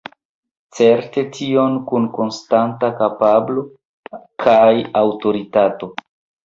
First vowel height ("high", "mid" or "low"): mid